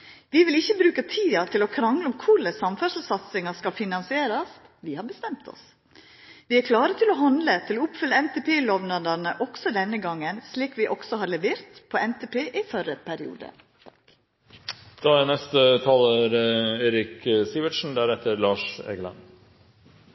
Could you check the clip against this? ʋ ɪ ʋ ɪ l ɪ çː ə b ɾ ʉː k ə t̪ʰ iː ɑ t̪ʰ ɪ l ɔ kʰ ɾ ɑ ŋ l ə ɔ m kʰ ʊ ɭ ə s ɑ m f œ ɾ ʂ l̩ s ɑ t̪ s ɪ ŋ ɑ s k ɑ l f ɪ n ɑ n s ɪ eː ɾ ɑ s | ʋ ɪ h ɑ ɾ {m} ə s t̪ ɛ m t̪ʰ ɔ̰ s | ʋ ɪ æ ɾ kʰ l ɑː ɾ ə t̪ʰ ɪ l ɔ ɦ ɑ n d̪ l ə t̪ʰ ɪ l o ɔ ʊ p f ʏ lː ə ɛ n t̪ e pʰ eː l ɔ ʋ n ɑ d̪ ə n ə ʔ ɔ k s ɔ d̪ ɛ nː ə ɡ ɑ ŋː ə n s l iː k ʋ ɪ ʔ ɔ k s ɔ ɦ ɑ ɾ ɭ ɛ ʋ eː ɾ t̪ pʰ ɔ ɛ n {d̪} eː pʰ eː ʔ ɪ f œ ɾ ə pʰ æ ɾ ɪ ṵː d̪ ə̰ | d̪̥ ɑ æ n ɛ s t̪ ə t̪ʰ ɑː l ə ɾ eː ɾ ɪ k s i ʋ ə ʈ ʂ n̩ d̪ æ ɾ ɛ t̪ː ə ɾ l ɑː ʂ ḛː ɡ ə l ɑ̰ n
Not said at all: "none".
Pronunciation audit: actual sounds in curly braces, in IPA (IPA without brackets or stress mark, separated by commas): b, t̪